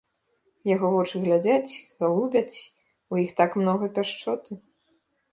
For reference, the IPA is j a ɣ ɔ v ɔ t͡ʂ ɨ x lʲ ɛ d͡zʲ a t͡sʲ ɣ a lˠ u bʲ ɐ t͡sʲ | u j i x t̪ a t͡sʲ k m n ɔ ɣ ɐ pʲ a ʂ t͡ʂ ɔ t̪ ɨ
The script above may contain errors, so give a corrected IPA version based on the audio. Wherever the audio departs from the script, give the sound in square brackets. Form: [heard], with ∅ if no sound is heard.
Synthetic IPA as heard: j a ɣ ɔ v ɔ t͡ʂ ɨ [ɣ] lʲ [a] d͡zʲ a t͡sʲ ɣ a lˠ u bʲ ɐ t͡sʲ | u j i x t̪ a [∅] k m n ɔ ɣ ɐ pʲ a ʂ t͡ʂ ɔ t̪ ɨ

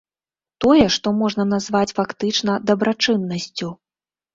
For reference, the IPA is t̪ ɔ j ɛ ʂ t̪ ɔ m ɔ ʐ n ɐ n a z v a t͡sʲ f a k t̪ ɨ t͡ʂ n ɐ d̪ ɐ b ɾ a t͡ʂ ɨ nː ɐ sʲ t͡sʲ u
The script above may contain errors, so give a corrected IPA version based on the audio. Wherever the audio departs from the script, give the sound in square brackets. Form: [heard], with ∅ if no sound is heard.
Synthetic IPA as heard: t̪ ɔ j ɛ ʂ t̪ ɔ m ɔ ʐ n ɐ n a z v a t͡sʲ f a k t̪ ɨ t͡ʂ n ɐ d̪ ɐ b ɾ a t͡ʂ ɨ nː ɐ sʲ t͡sʲ u

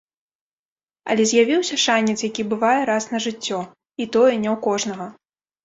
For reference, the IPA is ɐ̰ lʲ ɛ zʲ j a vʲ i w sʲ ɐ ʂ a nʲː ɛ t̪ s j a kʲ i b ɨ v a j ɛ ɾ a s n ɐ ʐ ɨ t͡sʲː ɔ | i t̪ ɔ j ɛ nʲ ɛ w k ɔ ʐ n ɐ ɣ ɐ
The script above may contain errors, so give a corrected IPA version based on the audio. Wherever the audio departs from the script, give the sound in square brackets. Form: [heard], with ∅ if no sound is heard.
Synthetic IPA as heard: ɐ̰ lʲ ɛ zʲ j a vʲ i w sʲ ɐ ʂ a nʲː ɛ t̪ s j a kʲ i b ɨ v a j ɛ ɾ a s n ɐ ʐ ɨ t͡sʲː ɔ | i t̪ ɔ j ɛ nʲ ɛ w k ɔ ʐ n ɐ ɣ ɐ

